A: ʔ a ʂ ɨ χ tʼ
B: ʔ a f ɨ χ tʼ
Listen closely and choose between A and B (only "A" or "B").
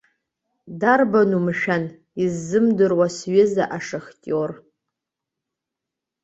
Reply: A